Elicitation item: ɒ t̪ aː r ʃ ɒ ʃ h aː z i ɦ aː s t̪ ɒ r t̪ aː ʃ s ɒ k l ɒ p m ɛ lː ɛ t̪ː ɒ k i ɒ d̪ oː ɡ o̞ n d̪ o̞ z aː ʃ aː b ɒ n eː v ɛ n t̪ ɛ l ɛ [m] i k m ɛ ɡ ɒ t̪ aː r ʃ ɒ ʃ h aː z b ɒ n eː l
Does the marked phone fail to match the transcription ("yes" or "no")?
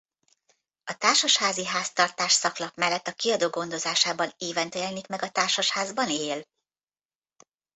yes